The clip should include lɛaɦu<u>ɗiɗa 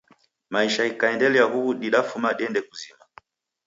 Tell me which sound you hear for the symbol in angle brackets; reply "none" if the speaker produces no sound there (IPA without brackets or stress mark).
u